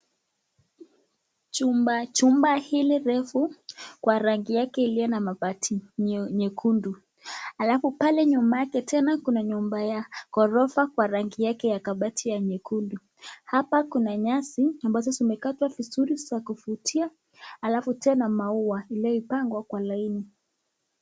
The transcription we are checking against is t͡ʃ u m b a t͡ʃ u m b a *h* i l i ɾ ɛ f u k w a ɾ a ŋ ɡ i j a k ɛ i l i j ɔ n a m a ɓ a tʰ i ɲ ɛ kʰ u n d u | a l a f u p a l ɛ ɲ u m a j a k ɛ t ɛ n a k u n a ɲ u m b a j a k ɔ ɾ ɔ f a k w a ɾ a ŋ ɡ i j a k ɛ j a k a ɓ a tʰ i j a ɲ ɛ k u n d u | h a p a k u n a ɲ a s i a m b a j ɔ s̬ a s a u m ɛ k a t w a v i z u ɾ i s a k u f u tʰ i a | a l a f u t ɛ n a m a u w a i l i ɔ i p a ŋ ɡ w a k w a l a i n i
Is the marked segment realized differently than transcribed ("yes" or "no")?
no